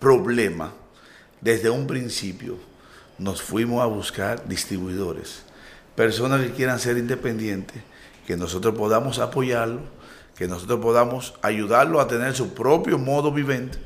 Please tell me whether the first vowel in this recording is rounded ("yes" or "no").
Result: yes